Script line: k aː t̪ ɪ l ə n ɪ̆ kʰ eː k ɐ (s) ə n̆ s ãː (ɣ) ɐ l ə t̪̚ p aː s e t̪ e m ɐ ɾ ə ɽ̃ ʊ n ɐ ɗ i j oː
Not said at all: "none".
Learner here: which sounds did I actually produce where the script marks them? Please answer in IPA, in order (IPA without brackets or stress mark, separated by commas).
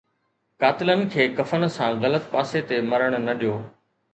f, ɣ